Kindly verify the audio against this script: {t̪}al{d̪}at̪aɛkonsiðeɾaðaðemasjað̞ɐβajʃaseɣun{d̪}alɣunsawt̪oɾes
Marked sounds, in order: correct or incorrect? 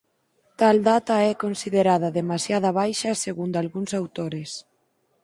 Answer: correct, correct, correct

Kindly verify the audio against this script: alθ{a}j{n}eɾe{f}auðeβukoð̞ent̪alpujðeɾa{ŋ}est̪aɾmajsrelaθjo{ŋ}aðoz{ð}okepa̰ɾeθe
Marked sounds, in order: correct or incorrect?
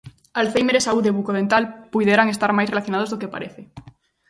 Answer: incorrect, incorrect, incorrect, correct, incorrect, correct

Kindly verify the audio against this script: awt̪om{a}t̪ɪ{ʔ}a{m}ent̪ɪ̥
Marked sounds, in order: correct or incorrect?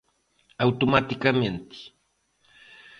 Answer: correct, incorrect, correct

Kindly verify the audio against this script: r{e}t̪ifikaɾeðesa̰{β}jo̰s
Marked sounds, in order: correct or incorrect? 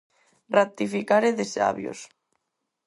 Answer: incorrect, correct

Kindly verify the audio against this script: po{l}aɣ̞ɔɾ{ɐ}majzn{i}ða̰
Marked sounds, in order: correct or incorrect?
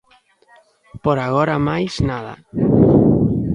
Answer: incorrect, incorrect, incorrect

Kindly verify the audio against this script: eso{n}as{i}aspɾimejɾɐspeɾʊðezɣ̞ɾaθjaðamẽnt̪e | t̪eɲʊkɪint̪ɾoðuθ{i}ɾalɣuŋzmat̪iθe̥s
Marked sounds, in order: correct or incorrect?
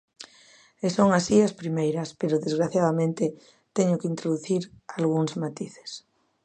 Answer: incorrect, correct, correct

